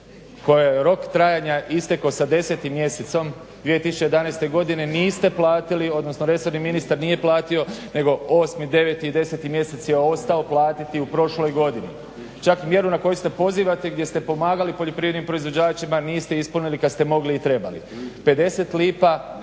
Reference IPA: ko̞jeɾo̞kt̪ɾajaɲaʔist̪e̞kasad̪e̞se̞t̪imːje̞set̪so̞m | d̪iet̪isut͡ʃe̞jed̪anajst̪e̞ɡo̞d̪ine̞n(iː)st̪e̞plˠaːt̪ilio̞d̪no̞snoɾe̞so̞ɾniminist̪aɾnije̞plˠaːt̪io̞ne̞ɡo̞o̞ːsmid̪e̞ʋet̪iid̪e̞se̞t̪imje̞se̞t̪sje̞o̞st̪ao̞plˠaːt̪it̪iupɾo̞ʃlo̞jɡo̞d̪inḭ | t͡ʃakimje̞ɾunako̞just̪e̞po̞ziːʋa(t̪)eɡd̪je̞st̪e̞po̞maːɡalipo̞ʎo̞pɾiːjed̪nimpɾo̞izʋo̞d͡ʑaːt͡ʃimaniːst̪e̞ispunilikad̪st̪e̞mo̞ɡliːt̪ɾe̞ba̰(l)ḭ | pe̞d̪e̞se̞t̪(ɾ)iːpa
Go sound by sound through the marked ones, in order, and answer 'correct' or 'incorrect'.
correct, correct, correct, incorrect

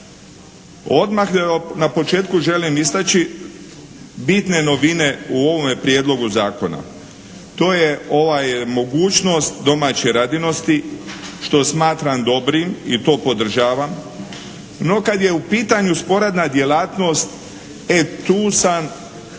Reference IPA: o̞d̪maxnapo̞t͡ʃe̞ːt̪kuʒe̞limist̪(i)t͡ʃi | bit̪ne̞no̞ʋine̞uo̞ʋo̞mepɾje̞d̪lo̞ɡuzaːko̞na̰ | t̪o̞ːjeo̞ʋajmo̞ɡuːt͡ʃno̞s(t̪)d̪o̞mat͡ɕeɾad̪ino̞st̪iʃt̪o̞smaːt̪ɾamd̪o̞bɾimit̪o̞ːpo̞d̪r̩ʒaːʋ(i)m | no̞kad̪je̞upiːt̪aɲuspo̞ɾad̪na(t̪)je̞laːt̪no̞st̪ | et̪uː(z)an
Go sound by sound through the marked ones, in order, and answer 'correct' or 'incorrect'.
incorrect, correct, incorrect, incorrect, incorrect

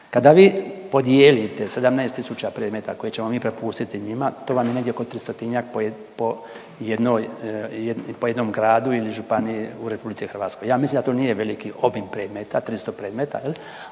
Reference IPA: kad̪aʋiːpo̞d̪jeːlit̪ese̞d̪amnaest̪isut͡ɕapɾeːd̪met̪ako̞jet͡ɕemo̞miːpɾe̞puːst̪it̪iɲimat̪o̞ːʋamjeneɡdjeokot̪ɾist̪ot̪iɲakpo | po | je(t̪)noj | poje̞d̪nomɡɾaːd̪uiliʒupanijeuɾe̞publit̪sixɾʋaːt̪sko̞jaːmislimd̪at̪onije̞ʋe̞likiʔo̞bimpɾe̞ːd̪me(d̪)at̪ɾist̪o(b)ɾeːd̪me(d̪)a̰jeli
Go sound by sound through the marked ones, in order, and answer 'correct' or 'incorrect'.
incorrect, incorrect, incorrect, incorrect

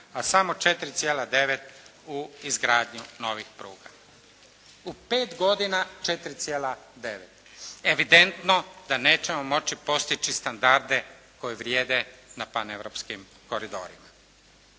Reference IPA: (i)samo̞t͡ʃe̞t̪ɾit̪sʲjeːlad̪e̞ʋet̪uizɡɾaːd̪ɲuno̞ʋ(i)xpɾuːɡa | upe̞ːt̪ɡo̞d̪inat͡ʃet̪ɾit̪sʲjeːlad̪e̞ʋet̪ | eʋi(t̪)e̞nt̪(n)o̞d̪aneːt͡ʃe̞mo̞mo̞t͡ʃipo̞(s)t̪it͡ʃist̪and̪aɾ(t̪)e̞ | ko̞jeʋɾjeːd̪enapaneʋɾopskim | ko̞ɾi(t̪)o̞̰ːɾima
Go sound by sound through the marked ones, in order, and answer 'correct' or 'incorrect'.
incorrect, correct, incorrect, correct, correct, incorrect, incorrect

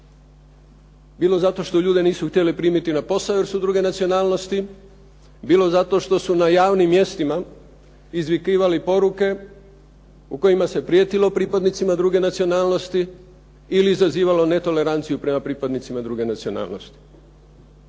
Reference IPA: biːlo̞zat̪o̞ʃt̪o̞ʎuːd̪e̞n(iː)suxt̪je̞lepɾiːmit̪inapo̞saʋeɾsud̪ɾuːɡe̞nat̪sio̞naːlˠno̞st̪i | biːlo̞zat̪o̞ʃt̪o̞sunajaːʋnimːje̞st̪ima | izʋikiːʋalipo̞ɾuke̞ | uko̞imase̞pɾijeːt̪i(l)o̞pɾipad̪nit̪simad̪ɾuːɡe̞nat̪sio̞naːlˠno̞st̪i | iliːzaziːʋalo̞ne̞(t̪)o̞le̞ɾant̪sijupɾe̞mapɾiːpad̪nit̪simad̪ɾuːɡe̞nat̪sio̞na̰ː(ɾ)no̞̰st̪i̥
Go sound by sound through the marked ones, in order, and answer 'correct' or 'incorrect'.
correct, correct, correct, incorrect

